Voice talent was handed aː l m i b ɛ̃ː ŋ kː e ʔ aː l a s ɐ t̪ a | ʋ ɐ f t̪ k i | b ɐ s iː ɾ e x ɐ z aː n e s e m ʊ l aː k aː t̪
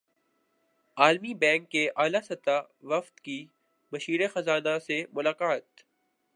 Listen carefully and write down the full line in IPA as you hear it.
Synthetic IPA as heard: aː l m i b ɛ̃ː ŋ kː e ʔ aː l a s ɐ t̪ a | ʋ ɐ f t̪ k i | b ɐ ʃ iː ɾ e x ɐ z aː n a s e m ʊ l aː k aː t̪